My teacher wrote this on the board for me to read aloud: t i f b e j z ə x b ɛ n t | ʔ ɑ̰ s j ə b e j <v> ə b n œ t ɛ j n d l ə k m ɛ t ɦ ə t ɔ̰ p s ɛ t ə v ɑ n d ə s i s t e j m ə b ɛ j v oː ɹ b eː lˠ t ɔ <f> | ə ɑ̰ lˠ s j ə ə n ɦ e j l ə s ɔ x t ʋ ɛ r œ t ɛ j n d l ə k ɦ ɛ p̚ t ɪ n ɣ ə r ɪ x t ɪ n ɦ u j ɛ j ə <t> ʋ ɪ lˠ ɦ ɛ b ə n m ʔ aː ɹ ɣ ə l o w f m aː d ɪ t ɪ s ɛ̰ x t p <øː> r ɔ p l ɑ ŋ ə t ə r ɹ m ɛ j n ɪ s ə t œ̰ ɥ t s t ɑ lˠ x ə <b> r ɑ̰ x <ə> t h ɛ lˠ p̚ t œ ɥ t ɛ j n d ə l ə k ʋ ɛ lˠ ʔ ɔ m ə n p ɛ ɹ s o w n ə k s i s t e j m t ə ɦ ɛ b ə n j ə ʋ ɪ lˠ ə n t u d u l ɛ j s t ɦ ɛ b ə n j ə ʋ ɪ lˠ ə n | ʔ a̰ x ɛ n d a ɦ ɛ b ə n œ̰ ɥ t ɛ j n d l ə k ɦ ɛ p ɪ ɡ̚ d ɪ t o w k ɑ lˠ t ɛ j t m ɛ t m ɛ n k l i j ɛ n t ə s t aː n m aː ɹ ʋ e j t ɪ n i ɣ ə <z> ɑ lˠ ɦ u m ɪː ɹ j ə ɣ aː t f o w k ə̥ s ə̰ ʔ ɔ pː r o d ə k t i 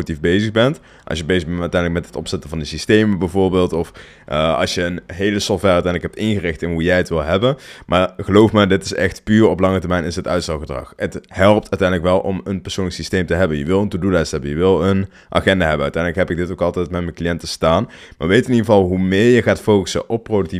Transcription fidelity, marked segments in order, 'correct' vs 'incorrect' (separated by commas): incorrect, correct, correct, incorrect, incorrect, correct, incorrect